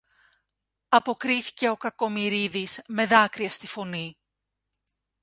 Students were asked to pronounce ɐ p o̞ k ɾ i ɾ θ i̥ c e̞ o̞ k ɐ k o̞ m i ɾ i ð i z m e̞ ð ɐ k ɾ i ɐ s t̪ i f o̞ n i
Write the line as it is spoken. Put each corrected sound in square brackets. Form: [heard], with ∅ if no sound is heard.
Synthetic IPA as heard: ɐ p o̞ k ɾ i [∅] θ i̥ c e̞ o̞ k ɐ k o̞ m i ɾ i ð i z m e̞ ð ɐ k ɾ i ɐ s t̪ i f o̞ n i